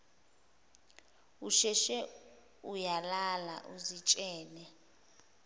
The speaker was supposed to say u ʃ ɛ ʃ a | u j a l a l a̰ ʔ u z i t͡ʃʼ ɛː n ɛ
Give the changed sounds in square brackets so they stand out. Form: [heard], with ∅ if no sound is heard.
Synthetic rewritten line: u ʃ ɛ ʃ [ɛ] | u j a l a l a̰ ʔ u z i t͡ʃʼ ɛː n ɛ

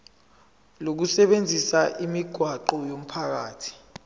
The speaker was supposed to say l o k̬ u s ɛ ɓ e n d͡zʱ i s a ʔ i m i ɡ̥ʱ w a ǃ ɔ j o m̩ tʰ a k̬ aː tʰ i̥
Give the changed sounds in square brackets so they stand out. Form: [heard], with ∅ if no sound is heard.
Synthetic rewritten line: l o k̬ u s ɛ ɓ e n d͡zʱ i s a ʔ i m i ɡ̥ʱ w a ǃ ɔ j o m̩ [pʰ] a k̬ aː tʰ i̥

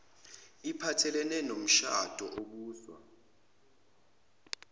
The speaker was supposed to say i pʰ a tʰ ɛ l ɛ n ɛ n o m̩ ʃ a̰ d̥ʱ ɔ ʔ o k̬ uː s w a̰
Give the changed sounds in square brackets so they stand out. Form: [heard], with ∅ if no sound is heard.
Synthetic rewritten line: i pʰ a tʰ ɛ l ɛ n ɛ n o m̩ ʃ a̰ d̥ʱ ɔ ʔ o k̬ uː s w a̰

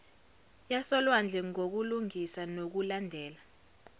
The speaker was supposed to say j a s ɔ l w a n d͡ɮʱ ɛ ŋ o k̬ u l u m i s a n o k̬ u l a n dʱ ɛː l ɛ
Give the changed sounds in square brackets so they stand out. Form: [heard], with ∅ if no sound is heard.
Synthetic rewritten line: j a s ɔ l w a n d͡ɮʱ ɛ ŋ o k̬ u l u [ŋ] i s a n o k̬ u l a n dʱ ɛː l [a]

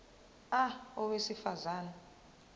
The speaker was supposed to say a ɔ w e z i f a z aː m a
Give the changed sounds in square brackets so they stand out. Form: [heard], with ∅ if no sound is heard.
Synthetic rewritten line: a ɔ w e [s] i f a z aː [n] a

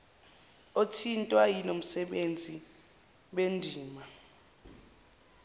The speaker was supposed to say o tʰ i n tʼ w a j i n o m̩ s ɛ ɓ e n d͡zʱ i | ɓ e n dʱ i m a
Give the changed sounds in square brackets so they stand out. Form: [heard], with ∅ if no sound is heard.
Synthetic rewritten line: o tʰ i n tʼ w a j i n o m̩ s ɛ ɓ e n d͡zʱ i | ɓ e n dʱ [iː] m a

